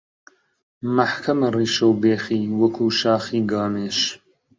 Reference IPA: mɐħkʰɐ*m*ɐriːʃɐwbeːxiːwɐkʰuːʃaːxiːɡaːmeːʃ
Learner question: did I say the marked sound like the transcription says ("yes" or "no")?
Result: yes